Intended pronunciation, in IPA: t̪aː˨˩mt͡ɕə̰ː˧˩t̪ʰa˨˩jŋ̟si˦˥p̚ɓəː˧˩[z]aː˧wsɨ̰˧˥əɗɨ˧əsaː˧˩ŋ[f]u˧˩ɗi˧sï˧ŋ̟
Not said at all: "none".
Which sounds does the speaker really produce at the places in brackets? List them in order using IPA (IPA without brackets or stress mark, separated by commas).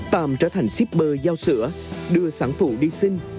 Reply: z, f